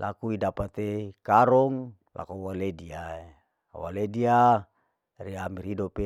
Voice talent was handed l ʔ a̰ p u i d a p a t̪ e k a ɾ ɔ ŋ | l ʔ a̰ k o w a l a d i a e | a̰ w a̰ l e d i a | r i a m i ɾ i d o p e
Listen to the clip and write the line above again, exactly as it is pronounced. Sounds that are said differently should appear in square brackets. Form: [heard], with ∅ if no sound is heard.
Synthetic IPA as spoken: l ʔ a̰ [k] u i d a p a t̪ e k a ɾ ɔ ŋ | l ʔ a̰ k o w a l [e] d i a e | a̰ w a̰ l e d i a | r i a m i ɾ i d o p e